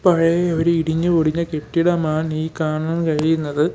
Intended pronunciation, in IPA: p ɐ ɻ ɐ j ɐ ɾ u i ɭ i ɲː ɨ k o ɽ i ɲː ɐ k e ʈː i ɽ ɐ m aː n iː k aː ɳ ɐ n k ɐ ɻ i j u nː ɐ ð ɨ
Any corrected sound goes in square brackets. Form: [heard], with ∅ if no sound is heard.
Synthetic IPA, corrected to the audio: p ɐ ɻ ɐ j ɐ ɾ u i [ɽ] i ɲː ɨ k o ɽ i ɲː ɐ k e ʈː i ɽ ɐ m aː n iː k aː ɳ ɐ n k ɐ ɻ i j u nː ɐ ð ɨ